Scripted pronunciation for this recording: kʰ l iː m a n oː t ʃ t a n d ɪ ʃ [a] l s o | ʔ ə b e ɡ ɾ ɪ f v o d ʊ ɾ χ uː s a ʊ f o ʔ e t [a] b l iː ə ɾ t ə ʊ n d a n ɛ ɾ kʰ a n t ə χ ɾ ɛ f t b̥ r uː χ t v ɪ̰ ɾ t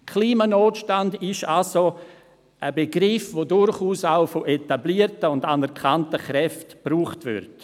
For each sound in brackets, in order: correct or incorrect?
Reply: correct, correct

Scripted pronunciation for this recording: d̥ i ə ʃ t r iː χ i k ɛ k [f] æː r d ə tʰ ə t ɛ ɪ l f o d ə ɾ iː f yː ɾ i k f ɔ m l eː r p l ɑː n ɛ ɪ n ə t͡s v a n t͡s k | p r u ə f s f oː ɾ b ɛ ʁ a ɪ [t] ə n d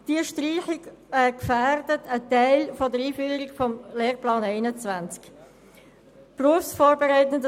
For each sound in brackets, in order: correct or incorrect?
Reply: correct, correct

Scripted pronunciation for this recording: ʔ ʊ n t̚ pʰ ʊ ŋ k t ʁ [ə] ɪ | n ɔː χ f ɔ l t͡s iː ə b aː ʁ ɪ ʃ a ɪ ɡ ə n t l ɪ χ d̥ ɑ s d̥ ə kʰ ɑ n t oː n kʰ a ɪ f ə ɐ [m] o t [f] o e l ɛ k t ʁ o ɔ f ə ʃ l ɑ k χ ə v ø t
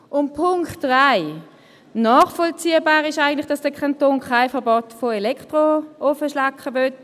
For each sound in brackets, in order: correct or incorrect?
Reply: incorrect: a, incorrect: b, correct

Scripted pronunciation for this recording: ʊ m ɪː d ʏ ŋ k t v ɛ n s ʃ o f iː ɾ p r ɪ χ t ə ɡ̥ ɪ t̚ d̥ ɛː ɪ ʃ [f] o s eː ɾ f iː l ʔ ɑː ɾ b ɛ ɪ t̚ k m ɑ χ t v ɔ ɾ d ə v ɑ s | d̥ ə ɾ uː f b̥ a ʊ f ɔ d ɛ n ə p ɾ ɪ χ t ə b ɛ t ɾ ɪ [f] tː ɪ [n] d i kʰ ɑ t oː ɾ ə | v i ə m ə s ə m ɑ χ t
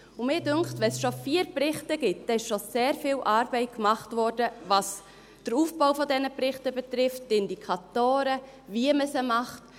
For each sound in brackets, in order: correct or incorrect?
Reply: incorrect: ʃ, correct, correct

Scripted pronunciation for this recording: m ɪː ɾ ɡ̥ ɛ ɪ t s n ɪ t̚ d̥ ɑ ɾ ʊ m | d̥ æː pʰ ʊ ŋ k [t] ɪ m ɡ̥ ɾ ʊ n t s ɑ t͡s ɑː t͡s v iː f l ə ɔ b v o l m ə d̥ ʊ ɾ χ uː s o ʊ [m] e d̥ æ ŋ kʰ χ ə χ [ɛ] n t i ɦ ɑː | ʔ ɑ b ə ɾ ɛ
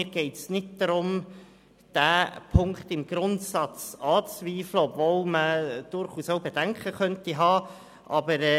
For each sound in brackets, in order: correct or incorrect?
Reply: correct, incorrect: b, incorrect: œ

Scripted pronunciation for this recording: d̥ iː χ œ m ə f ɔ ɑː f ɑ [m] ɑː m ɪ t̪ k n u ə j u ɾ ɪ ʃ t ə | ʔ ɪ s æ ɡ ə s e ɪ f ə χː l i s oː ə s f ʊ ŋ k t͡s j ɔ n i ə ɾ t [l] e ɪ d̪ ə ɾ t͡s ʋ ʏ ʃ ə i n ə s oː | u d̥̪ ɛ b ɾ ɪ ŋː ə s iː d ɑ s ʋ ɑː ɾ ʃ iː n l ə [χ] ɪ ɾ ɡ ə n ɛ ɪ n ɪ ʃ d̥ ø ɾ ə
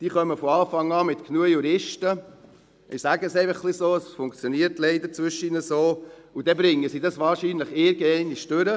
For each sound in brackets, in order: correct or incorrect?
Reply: incorrect: ŋ, correct, correct

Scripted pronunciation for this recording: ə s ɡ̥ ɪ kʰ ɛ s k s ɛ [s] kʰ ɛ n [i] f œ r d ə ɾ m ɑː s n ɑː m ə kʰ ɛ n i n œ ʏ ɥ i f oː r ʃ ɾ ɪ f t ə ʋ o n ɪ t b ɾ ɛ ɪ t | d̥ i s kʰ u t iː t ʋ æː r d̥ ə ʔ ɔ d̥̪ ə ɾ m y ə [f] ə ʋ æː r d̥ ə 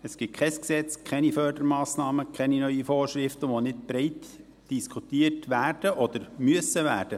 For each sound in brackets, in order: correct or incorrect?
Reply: incorrect: t͡s, correct, incorrect: s

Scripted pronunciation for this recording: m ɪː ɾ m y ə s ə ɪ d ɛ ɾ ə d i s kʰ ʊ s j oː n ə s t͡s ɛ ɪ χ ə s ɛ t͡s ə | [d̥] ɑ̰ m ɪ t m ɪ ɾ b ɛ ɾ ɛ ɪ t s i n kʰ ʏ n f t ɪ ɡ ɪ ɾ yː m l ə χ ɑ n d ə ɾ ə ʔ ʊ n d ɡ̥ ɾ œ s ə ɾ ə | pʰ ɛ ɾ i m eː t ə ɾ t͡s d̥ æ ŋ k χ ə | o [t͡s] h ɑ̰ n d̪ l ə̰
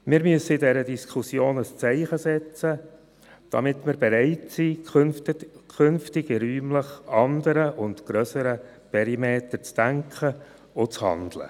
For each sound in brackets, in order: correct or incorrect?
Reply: correct, correct

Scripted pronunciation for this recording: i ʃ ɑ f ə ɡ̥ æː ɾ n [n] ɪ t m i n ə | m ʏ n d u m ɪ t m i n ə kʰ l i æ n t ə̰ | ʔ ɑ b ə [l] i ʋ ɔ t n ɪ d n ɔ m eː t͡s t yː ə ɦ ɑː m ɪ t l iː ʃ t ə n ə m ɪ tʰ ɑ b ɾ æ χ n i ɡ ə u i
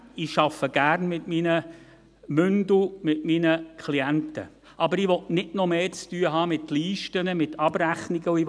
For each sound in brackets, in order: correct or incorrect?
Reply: incorrect: m, incorrect: ɾ

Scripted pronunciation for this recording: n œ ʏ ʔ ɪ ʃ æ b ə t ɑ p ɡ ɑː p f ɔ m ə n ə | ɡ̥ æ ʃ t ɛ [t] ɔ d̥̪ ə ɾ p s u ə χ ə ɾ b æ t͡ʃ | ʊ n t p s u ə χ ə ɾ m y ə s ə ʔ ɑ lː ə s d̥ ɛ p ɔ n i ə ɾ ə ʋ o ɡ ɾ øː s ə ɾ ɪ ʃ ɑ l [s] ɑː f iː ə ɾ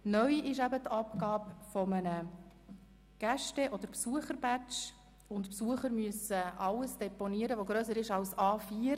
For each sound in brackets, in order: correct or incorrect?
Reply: incorrect: ʔ, correct

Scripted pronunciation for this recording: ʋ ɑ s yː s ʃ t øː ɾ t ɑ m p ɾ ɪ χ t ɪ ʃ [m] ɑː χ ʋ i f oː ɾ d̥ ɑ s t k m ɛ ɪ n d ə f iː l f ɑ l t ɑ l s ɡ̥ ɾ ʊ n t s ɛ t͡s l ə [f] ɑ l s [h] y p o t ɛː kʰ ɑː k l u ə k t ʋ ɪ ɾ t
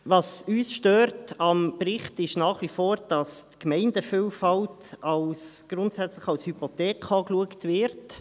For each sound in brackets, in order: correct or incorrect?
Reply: incorrect: n, incorrect: χ, correct

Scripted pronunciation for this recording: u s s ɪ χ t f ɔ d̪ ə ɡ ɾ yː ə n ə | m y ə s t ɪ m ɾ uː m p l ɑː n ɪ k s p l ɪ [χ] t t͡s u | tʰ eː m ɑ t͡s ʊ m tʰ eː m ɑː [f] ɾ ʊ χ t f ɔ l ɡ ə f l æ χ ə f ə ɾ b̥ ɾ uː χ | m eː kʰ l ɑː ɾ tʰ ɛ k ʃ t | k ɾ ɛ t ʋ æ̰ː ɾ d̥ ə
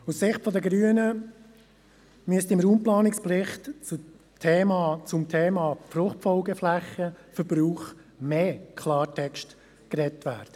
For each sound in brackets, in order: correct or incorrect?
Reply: correct, correct

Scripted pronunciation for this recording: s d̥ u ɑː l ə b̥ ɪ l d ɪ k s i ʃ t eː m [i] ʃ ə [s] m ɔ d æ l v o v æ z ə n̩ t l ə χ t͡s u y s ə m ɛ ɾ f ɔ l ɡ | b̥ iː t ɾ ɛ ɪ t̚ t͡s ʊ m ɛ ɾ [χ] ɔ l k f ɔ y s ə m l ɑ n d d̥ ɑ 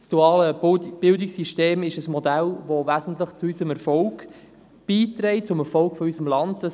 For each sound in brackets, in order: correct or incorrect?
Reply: incorrect: ɪ, correct, incorrect: f

